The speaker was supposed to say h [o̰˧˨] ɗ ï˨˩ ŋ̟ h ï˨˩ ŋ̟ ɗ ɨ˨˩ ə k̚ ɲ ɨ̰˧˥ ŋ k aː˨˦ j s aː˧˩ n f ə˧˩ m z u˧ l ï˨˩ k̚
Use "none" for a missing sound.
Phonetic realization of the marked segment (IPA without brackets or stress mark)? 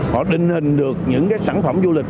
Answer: ɔ̰˧˨